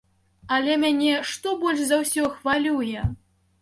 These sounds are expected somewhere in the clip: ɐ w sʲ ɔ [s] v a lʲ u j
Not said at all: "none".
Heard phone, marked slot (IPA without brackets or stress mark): x